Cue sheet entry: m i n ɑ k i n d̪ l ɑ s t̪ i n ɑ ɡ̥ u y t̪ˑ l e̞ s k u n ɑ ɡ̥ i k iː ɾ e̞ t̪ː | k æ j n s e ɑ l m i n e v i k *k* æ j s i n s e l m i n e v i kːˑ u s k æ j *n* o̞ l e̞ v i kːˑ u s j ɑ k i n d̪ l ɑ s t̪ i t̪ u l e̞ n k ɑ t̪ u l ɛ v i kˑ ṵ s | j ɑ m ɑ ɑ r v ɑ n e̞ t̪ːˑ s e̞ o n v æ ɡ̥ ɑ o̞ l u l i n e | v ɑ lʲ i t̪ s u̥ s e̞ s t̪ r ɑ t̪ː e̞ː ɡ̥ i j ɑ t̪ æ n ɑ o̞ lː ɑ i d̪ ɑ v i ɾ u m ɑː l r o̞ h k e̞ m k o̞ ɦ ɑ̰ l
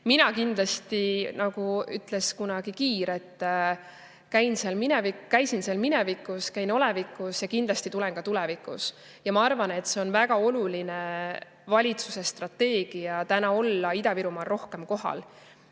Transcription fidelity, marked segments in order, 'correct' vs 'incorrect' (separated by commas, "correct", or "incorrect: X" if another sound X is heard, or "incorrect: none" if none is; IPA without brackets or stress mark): correct, correct